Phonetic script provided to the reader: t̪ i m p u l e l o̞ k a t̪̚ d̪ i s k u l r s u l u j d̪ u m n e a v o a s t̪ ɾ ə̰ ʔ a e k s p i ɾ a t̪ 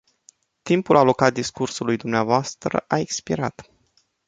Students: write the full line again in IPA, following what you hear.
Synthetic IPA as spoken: t̪ i m p u l a l o̞ k a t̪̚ d̪ i s k u r s u l u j d̪ u m n e a v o a s t̪ ɾ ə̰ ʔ a e k s p i ɾ a t̪